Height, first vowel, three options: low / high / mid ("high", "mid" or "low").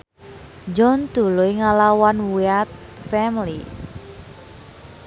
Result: mid